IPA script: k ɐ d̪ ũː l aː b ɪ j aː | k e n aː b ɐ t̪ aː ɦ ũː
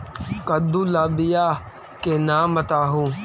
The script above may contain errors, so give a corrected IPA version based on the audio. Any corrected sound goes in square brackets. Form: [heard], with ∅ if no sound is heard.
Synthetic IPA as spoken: k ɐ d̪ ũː l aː b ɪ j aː | k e n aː [m] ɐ t̪ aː ɦ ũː